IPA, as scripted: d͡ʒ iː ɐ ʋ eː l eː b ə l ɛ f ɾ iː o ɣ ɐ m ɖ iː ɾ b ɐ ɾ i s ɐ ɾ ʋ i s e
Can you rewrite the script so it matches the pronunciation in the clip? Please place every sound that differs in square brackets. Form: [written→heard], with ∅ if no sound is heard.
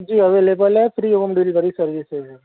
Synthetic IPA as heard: d͡ʒ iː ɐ ʋ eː l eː b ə l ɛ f ɾ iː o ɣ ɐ m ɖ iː [ɾ→l] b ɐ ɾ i s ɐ ɾ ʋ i s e